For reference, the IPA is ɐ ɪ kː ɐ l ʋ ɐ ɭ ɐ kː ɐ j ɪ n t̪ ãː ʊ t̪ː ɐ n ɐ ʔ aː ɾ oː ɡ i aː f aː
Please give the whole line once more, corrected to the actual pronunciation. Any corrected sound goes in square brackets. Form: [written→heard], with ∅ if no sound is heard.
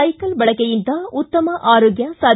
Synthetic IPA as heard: ɐ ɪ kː ɐ l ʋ ɐ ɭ ɐ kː ɐ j ɪ n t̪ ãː ʊ t̪ː ɐ [n→m] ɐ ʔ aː ɾ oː ɡ [i→j] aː [f→s] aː

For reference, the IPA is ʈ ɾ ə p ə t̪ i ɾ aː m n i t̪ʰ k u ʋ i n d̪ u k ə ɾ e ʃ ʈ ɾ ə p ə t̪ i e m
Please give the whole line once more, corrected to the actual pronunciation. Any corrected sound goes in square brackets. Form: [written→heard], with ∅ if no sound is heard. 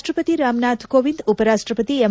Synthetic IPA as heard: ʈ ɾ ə p ə t̪ i ɾ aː m n [i→a] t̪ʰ k [u→o] ʋ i n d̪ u [k→p] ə ɾ [e→a] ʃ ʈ ɾ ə p ə t̪ i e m

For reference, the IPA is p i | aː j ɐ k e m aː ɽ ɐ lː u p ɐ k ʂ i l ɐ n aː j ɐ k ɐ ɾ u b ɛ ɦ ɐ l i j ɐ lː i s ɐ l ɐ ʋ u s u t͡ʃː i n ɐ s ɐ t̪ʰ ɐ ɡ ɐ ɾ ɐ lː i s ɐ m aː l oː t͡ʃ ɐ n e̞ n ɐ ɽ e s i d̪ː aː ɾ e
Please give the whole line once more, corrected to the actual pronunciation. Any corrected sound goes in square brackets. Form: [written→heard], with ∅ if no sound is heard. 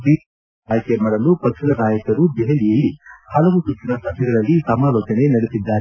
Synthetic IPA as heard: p i | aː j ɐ k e m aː ɽ ɐ [lː→l] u p ɐ k ʂ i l ɐ n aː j ɐ k ɐ ɾ u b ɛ ɦ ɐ l i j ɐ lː i [s→h] ɐ l ɐ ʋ u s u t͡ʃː i n ɐ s ɐ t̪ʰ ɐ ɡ ɐ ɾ ɐ lː i s ɐ m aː l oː t͡ʃ ɐ n e̞ n ɐ ɽ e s i d̪ː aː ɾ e

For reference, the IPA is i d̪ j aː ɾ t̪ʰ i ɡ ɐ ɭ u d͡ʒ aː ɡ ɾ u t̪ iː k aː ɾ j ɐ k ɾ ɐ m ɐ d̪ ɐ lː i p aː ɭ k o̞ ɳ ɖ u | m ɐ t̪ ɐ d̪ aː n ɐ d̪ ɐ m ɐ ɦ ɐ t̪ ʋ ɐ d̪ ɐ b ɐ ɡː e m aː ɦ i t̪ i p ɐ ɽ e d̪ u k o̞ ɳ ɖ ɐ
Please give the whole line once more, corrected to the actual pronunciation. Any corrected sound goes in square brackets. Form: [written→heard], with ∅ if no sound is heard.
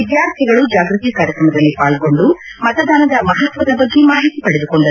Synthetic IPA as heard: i d̪ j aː ɾ t̪ʰ i ɡ ɐ ɭ u d͡ʒ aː ɡ ɾ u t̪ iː k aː ɾ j ɐ k ɾ ɐ m ɐ d̪ ɐ lː i p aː ɭ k o̞ ɳ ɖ u | m ɐ t̪ ɐ d̪ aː n ɐ d̪ ɐ m ɐ ɦ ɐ t̪ ʋ ɐ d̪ ɐ b ɐ ɡː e m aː ɦ i t̪ i p ɐ ɽ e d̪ u k o̞ ɳ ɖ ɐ

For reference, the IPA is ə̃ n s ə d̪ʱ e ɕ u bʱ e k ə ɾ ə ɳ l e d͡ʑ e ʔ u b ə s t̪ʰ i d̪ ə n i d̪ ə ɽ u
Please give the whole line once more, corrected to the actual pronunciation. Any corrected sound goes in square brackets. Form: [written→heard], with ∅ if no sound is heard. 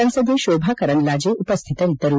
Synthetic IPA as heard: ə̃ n s ə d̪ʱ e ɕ [u→o] bʱ [e→a] k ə ɾ ə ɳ l [e→a] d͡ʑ e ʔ u [b→p] ə s t̪ʰ i [d̪→t̪] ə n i [d̪→t̪] ə [ɽ→ɾ] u

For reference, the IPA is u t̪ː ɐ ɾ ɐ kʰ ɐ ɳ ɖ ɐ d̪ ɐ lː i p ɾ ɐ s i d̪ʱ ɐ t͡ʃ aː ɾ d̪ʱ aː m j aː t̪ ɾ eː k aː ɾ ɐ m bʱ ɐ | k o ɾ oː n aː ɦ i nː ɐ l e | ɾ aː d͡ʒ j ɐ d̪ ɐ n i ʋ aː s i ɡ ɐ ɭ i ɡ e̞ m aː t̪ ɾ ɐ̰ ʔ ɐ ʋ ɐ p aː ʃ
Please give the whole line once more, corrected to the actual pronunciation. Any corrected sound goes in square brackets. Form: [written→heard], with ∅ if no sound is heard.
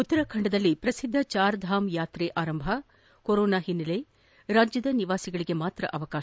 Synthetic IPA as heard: u t̪ː ɐ ɾ ɐ kʰ ɐ ɳ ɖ ɐ d̪ ɐ lː i p ɾ ɐ s i [d̪ʱ→d̪ʱː] ɐ t͡ʃ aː ɾ d̪ʱ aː m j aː t̪ ɾ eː [k→ʔ] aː ɾ ɐ m bʱ ɐ | k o ɾ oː n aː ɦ i nː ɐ l e | ɾ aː d͡ʒ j ɐ d̪ ɐ n i ʋ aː s i ɡ ɐ ɭ i ɡ e̞ m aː t̪ ɾ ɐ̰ ʔ ɐ ʋ ɐ [p→k] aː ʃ

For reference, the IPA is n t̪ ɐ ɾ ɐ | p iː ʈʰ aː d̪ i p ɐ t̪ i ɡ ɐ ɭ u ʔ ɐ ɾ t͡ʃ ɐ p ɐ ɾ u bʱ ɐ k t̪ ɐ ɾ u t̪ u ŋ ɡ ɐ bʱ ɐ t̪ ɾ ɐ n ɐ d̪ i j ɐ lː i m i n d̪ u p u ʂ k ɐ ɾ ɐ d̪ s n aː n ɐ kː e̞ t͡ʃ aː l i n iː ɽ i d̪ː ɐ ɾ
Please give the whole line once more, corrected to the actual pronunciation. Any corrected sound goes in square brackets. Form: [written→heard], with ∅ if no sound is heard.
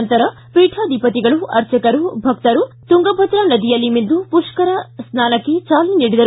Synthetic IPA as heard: n t̪ ɐ ɾ ɐ | p iː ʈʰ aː d̪ i p ɐ t̪ i ɡ ɐ ɭ u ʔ ɐ ɾ t͡ʃ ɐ [p→k] ɐ ɾ u bʱ ɐ k t̪ ɐ ɾ u t̪ u ŋ ɡ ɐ bʱ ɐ t̪ ɾ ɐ n ɐ d̪ i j ɐ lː i m i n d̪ u p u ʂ k ɐ ɾ ɐ [d̪→∅] s n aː n ɐ kː e̞ t͡ʃ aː l i n iː ɽ i [d̪ː→d̪] ɐ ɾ

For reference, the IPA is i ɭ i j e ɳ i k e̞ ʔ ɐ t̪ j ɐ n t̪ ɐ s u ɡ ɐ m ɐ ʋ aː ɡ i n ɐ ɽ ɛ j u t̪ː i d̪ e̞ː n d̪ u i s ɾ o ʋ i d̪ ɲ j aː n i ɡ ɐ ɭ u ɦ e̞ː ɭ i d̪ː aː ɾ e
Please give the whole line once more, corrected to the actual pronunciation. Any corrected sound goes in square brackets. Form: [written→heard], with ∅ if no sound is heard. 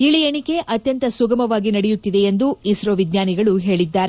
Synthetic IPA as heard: i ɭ i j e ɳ i k e̞ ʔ ɐ t̪ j ɐ n t̪ ɐ s u ɡ ɐ m ɐ ʋ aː ɡ i n ɐ ɽ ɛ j u t̪ː i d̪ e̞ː n d̪ u i s ɾ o ʋ i d̪ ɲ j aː n i ɡ ɐ ɭ u ɦ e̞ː ɭ i d̪ː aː ɾ e

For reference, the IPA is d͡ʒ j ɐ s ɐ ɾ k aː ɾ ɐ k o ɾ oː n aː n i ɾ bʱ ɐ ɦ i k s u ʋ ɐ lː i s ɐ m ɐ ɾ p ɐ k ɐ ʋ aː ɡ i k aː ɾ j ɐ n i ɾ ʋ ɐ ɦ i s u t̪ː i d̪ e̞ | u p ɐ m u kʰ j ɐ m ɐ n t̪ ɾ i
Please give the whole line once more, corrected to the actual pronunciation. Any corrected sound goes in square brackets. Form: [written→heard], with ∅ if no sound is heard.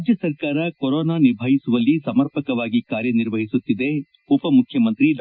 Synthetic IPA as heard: d͡ʒ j ɐ s ɐ ɾ k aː ɾ ɐ k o ɾ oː n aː n i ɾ bʱ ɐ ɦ i [k→∅] s u ʋ ɐ lː i s ɐ m ɐ ɾ p ɐ k ɐ ʋ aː ɡ i k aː ɾ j ɐ n i ɾ ʋ ɐ ɦ i s u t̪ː i d̪ e̞ | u p ɐ m u kʰ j ɐ m ɐ n t̪ ɾ i

